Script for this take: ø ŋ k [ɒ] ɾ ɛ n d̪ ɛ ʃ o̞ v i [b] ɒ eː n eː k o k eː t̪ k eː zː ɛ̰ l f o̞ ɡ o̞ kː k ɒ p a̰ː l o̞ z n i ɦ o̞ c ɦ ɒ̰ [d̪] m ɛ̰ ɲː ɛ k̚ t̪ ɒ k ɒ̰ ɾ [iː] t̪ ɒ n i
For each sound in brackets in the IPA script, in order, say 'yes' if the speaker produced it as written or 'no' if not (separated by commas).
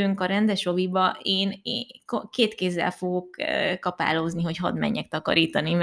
yes, yes, yes, yes